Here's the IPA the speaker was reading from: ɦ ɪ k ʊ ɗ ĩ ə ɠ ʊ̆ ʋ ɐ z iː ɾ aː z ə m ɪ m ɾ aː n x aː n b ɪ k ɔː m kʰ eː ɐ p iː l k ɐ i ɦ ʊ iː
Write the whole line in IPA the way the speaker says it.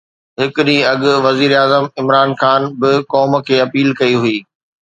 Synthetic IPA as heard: ɦ ɪ k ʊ ɗ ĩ ɐ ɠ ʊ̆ ʋ ɐ z iː ɾ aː z ə m ɪ m ɾ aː n x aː n b ɪ k ɔː m kʰ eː ɐ p iː l k ɐ i ɦ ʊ iː

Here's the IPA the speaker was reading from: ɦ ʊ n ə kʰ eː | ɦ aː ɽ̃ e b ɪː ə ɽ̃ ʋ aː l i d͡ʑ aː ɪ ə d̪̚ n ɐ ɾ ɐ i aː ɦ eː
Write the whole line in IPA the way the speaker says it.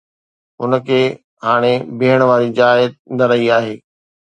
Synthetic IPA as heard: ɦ ʊ n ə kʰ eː | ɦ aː ɽ̃ e b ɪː ə ɽ̃ ʋ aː ɾ i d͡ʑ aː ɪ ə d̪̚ n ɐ ɾ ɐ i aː ɦ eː

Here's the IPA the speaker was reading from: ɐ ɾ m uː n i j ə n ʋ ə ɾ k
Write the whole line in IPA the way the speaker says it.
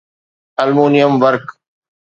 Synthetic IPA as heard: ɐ l m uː n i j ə m ʋ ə ɾ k

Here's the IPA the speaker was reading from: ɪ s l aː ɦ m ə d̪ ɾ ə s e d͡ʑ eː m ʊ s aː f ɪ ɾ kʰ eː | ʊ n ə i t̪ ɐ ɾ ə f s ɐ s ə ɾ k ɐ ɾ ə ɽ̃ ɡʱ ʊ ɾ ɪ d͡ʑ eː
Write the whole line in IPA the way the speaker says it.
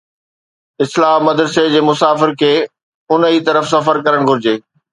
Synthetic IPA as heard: ɪ s l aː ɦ m ɐ d̪ ɾ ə s e d͡ʑ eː m ʊ s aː f ɪ ɾ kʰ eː | ʊ n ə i t̪ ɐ ɾ ə f s ɐ f ə ɾ k ɐ ɾ ə ɽ̃ ɡʱ ʊ ɾ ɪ d͡ʑ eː

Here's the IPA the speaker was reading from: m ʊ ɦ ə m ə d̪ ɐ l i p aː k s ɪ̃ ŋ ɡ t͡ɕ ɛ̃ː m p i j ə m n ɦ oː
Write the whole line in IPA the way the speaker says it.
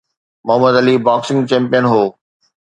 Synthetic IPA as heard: m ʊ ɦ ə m ə d̪ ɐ l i b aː k s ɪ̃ ŋ ɡ t͡ɕ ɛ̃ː m p i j ə n ɦ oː

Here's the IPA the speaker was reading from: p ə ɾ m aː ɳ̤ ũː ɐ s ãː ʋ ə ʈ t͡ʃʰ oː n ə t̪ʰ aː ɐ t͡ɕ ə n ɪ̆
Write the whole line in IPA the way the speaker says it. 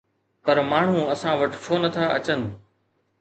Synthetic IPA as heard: p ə ɾ m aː ɳ̤ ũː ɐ s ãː ʋ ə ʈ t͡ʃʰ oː n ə t̪ʰ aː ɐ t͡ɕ ə n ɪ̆

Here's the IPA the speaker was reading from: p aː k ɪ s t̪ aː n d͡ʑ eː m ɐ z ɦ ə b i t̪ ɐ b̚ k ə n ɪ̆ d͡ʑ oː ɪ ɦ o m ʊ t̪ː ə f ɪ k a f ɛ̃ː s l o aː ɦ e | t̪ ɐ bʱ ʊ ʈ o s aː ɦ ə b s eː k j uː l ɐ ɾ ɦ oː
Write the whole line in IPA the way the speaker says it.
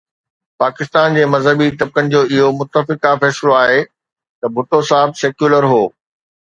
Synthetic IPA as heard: p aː k ɪ s t̪ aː n d͡ʑ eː m ɐ z ɦ ə b i t̪ ɐ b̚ k ə n ɪ̆ d͡ʑ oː ɪ ɦ o m ʊ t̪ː ə f ɪ k a f ɛː s l o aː ɦ e | t̪ ɐ bʱ ʊ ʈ o s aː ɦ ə b s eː k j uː l ə ɾ ɦ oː

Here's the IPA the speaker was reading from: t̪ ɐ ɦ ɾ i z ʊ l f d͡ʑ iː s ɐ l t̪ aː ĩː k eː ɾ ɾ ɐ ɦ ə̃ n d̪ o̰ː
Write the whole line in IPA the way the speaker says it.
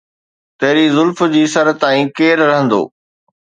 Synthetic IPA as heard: t̪ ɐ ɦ ɾ i z ʊ l f d͡ʑ iː s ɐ ɾ t̪ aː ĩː k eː ɾ ɾ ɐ ɦ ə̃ n d̪ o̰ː

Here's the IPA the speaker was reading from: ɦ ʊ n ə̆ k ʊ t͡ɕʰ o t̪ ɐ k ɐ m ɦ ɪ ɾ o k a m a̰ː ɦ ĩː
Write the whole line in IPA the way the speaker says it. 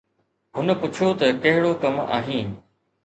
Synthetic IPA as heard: ɦ ʊ n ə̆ p ʊ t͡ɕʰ o t̪ ɐ k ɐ ɦ ɪ ɽ o k ɐ m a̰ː ɦ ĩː

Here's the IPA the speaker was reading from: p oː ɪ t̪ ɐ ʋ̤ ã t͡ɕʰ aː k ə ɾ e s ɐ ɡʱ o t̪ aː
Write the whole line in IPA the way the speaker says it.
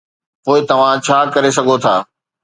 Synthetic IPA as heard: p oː ɪ t̪ ɐ ʋ̤ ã t͡ɕʰ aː k ɐ ɾ e s ɐ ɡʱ o t̪ʰ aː

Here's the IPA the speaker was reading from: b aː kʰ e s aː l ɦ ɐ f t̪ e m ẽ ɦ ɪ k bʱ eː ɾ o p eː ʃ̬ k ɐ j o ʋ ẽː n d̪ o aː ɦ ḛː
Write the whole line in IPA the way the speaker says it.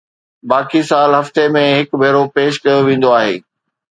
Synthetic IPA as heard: b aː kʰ i s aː l ɦ ɐ f t̪ e m ẽ ɦ ɪ k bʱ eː ɾ o p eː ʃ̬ k ɐ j o ʋ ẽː n d̪ o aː ɦ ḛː

